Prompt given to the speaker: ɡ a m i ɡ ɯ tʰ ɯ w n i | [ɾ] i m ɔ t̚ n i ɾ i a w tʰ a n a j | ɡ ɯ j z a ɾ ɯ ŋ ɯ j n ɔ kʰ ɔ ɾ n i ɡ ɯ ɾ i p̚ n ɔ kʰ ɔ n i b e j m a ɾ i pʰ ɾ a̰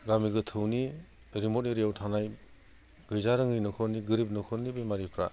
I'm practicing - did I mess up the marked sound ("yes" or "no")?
no